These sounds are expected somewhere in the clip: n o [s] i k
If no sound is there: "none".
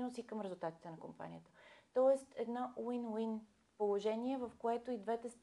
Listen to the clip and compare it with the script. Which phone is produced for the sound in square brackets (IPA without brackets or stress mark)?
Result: s